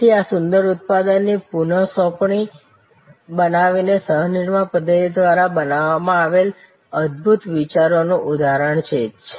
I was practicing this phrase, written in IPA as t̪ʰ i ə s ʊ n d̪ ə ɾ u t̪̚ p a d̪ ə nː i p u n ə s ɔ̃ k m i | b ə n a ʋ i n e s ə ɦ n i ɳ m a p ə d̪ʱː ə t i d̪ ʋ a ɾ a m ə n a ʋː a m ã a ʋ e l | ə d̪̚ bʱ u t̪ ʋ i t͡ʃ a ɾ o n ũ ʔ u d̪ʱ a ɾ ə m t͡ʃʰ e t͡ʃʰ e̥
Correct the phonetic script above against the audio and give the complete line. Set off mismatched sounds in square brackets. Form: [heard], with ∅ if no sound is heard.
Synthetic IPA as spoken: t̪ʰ i [a] s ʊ n d̪ ə ɾ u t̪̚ p a d̪ ə nː i p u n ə s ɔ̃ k [ɳ] i | b ə n a ʋ i n e s ə ɦ n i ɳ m a p ə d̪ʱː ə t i d̪ ʋ a ɾ a [b] ə n a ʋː a m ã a ʋ e l | ə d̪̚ bʱ u t̪ ʋ i t͡ʃ a ɾ o n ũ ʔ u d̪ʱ a ɾ ə [ɳ] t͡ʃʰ e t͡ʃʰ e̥